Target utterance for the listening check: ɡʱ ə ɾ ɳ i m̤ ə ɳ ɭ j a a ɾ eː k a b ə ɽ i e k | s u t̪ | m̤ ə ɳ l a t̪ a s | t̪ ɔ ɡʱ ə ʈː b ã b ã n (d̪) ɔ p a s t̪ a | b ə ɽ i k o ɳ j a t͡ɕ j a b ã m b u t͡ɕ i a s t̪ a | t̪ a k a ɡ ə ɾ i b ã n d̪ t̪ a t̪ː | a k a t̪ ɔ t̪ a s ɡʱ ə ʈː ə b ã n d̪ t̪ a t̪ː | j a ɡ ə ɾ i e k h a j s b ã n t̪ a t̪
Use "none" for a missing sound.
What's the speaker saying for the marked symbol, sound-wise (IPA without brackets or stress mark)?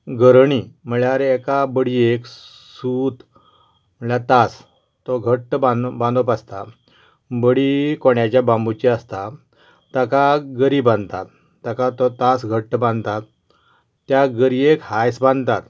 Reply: d̪